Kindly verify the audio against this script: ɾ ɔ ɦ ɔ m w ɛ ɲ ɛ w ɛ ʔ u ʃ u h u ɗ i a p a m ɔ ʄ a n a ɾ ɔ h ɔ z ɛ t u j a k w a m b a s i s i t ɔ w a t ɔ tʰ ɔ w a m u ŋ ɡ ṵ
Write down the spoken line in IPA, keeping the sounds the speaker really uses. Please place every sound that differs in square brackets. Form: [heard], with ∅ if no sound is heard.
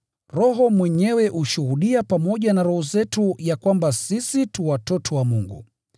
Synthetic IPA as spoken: ɾ ɔ ɦ ɔ m w ɛ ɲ ɛ w ɛ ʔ u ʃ u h u ɗ i a p a m ɔ ʄ a n a ɾ ɔ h ɔ z ɛ t u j a k w a m b a s i s i t [u] w a t ɔ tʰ ɔ w a m u ŋ ɡ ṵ